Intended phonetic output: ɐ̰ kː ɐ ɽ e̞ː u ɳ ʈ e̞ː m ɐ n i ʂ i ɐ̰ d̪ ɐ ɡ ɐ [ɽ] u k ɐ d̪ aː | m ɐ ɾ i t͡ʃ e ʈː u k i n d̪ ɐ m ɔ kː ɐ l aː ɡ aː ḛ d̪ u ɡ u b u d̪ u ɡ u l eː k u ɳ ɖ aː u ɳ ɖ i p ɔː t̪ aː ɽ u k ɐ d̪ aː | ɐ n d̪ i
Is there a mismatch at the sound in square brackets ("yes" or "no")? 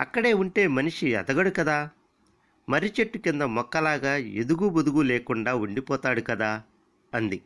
no